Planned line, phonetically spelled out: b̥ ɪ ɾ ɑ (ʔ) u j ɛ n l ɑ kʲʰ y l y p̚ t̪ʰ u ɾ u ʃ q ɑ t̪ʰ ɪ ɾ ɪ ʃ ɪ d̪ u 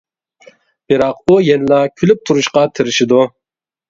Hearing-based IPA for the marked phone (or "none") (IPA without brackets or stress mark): q